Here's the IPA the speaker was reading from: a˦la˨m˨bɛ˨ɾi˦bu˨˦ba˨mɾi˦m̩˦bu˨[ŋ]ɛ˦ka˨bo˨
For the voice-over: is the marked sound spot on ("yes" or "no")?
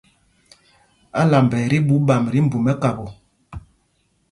no